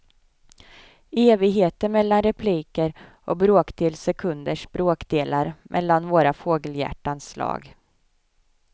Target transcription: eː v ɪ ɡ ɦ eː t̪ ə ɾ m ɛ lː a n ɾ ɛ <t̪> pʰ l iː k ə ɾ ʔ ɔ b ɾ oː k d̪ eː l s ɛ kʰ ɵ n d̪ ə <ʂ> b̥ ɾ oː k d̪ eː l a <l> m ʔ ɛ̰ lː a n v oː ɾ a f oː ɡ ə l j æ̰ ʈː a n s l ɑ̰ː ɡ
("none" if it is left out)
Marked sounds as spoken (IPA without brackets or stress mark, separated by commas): none, ʂ, ɾ